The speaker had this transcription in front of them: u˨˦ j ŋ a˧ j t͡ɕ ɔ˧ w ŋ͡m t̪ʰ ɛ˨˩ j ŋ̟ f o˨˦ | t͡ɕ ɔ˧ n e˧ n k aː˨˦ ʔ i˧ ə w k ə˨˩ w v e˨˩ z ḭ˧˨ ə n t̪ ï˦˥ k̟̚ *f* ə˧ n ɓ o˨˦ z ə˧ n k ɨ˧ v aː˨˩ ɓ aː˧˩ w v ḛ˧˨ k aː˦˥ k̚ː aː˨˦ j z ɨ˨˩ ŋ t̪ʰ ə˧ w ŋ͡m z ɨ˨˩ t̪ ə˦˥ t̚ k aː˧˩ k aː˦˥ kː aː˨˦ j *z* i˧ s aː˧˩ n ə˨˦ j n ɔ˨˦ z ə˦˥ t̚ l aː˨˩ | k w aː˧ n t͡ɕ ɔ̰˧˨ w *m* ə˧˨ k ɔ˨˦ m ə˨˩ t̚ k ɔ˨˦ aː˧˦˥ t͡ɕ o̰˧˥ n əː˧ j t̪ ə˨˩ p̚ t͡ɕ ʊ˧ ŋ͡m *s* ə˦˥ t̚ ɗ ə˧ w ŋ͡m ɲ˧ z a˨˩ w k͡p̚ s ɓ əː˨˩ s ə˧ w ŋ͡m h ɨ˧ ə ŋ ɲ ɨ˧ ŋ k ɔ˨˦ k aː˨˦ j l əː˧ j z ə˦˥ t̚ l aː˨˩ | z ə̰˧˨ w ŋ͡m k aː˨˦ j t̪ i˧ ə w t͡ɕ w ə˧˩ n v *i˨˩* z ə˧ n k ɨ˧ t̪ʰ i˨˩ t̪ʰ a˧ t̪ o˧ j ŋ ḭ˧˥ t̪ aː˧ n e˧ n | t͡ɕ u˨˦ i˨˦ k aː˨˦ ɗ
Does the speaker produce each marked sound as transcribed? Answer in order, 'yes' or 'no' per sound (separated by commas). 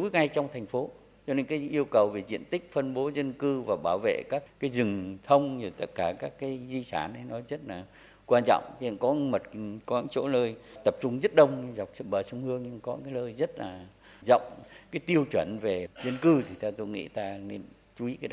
yes, yes, no, no, no